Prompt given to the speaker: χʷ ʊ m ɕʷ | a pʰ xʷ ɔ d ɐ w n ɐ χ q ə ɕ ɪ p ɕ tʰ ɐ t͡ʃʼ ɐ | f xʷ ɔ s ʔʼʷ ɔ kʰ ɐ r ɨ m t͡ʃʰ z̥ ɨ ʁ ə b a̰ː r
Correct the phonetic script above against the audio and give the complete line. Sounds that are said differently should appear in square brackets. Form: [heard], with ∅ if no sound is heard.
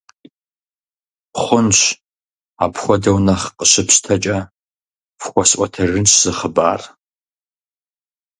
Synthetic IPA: χʷ ʊ [n] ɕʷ | a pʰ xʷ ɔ d ɐ w n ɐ χ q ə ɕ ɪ p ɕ tʰ ɐ t͡ʃʼ ɐ | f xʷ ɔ s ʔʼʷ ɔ [tʰ] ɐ r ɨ [n] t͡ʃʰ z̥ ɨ [χ] ə b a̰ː r